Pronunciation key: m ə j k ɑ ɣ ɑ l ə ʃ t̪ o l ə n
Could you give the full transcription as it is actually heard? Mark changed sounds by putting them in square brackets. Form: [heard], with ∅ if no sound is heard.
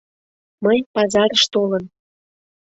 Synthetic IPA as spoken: m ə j [p] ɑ [z] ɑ [ɾ] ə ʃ t̪ o l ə n